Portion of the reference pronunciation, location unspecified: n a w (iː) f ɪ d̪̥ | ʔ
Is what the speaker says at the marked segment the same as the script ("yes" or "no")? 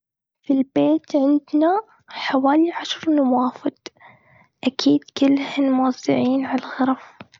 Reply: no